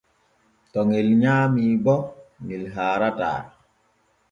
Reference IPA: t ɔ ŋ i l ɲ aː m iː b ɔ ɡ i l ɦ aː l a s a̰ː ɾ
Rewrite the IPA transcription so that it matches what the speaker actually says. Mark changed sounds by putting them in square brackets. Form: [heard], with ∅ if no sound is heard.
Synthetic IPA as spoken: t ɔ ŋ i l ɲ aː m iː b ɔ [ŋ] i l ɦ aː [ɾ] a [t] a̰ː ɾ

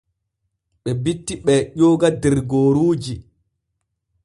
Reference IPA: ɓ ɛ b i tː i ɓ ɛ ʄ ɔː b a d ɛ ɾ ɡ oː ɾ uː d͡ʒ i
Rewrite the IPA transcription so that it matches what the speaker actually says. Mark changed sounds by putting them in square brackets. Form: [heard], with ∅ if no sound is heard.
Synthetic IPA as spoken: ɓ ɛ b i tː i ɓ ɛ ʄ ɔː [ɡ] a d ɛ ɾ ɡ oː ɾ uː d͡ʒ i

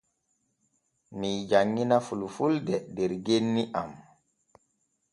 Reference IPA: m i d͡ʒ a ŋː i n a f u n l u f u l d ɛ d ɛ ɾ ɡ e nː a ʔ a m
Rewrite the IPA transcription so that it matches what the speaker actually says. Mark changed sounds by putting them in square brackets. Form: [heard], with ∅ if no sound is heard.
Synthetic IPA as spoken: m i d͡ʒ a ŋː i n a f u [∅] l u f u l d ɛ d ɛ ɾ ɡ e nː [i] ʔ a m

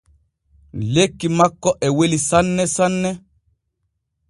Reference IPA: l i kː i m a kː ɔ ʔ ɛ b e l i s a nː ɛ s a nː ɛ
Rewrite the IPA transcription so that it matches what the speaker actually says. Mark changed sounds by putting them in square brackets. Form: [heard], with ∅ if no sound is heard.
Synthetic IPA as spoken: l [e] kː i m a kː ɔ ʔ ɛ [w] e l i s a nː ɛ s a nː ɛ

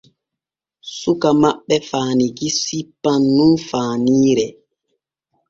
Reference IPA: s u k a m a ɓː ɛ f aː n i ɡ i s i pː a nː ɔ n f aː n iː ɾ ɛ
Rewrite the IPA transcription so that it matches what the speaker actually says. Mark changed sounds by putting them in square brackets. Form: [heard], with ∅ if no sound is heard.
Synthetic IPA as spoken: s u k a m a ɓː ɛ f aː n i ɡ i s i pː a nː [u] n f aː n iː ɾ ɛ

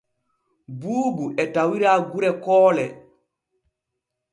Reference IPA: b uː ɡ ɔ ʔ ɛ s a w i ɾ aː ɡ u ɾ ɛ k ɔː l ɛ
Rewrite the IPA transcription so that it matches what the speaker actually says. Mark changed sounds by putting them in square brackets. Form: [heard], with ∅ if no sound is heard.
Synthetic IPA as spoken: b uː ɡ [u] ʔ ɛ [t] a w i ɾ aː ɡ u ɾ ɛ k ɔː l ɛ

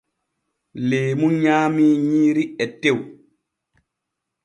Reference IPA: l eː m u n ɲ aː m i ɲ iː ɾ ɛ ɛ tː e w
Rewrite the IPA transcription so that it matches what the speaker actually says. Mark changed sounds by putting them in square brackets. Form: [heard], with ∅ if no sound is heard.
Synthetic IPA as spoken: l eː m u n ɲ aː m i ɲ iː ɾ [i] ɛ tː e w

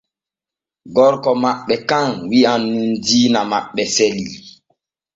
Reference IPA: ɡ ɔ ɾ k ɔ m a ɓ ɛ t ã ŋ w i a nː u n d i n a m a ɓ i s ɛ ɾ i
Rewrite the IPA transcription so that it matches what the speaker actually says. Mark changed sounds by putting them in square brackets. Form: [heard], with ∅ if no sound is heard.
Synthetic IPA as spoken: ɡ ɔ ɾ k ɔ m a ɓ ɛ [k] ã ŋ w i a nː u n d i n a m a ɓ [ɛ] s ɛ [l] i

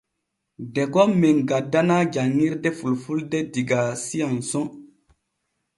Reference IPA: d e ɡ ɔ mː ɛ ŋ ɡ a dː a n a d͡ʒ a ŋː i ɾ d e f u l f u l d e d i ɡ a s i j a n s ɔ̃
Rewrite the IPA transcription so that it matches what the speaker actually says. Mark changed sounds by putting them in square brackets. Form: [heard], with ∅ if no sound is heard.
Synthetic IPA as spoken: d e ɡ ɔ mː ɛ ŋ ɡ a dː a n a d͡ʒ a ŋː i ɾ d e f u l f u l d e d i ɡ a s i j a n s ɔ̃

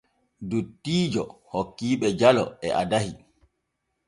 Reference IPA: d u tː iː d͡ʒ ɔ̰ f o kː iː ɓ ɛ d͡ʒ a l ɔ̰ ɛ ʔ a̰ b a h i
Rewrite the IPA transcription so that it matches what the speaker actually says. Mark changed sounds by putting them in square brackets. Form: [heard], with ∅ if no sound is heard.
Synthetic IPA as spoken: d u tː iː d͡ʒ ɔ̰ [h] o kː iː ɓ ɛ d͡ʒ a l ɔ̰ ɛ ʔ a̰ [d] a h i

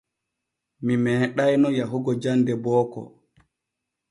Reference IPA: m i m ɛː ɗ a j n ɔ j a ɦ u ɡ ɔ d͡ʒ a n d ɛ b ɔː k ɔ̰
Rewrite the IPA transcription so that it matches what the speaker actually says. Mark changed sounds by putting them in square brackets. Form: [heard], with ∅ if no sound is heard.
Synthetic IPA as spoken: m i m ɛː ɗ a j n ɔ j a ɦ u ɡ ɔ d͡ʒ a n d ɛ b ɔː k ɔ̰

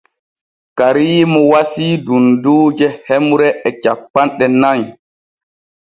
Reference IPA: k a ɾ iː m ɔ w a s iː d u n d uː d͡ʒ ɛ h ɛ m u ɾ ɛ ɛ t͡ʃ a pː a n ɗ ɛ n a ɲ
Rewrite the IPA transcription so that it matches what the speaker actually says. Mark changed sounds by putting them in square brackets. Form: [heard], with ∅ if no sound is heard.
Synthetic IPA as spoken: k a ɾ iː m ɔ w a s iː d u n d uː d͡ʒ ɛ h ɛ m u ɾ ɛ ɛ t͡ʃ a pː a n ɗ ɛ n a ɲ

